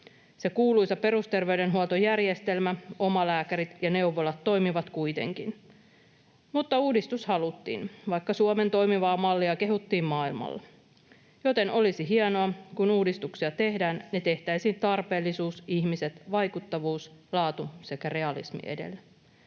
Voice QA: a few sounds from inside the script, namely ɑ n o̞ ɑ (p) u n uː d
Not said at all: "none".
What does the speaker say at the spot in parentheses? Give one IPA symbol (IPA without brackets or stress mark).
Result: k